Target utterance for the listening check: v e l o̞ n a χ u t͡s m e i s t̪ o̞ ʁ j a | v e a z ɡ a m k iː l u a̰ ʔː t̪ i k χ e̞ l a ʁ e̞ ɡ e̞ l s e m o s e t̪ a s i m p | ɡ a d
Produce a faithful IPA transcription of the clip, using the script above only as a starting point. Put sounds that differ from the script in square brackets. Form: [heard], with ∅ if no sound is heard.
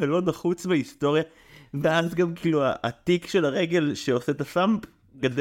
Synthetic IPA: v e l o̞ n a χ u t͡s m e i s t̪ o̞ ʁ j a | v e a z ɡ a m k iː l u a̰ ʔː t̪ i k [ʃ] e̞ l a ʁ e̞ ɡ e̞ l [ʃ] e [∅] o s e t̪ a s [a] m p | ɡ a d